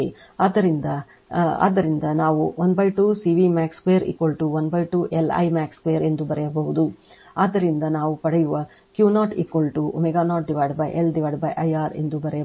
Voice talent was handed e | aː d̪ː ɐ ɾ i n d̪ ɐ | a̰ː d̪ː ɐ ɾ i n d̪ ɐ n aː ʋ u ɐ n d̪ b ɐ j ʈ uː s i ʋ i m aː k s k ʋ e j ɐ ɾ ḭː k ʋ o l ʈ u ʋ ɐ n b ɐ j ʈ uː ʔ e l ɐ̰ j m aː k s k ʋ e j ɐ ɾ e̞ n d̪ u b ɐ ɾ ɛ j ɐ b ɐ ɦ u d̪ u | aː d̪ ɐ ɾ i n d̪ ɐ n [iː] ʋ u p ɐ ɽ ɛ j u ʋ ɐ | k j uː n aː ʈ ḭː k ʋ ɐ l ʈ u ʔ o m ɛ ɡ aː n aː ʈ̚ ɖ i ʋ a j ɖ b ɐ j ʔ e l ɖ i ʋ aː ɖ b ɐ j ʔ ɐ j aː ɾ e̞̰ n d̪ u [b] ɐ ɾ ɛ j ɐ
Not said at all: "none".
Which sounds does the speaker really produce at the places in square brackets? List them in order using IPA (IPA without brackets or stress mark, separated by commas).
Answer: aː, b